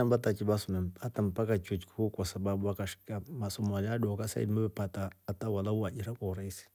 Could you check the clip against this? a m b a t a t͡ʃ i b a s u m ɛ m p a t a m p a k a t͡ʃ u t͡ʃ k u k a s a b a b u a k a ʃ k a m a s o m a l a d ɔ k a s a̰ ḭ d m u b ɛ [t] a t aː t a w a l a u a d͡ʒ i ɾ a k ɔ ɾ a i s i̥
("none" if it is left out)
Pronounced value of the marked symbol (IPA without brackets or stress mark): p